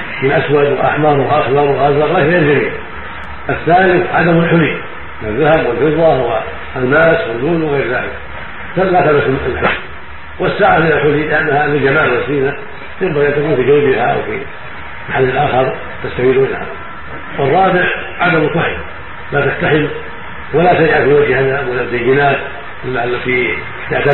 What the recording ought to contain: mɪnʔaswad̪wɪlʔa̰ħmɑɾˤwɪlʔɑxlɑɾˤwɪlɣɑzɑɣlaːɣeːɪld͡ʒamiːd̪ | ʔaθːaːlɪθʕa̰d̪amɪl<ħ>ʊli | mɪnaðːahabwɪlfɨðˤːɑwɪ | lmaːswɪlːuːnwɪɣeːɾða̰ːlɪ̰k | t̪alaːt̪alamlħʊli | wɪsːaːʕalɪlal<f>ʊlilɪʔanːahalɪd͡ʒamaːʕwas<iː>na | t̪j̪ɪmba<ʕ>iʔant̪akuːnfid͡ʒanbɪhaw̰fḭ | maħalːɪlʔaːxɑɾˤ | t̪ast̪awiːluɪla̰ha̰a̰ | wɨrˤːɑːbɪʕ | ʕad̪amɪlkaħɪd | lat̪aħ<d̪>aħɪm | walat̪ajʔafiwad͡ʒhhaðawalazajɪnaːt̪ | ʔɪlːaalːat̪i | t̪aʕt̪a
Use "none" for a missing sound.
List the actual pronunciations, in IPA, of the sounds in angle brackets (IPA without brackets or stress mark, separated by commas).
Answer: ħ, ħ, iː, ɣ, t̪